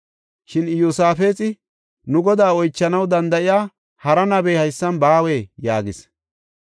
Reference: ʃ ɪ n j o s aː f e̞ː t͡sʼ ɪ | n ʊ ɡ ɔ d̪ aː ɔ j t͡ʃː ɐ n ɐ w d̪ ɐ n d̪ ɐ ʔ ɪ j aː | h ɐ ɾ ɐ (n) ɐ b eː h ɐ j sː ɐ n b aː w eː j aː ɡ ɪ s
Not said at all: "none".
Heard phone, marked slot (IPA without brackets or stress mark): n